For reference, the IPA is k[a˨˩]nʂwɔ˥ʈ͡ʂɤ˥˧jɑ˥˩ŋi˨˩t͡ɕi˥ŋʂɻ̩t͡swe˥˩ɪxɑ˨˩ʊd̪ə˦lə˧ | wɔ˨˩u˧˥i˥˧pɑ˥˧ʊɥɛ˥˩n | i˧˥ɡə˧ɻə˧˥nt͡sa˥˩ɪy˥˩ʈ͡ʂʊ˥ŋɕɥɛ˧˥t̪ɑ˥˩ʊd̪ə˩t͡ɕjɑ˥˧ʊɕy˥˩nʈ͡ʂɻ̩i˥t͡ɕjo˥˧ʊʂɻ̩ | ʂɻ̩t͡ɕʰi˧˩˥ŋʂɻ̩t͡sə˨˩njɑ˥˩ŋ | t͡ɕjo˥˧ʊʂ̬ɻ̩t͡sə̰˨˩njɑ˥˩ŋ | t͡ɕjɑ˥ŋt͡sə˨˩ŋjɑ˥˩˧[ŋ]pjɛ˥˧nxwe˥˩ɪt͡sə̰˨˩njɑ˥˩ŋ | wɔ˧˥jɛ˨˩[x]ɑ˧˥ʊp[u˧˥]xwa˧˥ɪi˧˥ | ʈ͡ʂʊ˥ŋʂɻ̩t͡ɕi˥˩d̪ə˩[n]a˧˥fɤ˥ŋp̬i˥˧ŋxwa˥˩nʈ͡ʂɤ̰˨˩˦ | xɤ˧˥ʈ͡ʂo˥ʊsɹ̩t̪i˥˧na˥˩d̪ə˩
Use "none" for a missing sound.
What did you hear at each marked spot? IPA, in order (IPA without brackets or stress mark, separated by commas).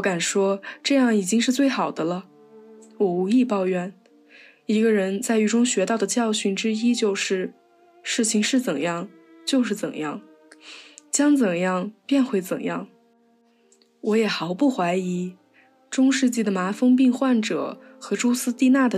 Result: a˨˩, ŋ, x, u˥˩, m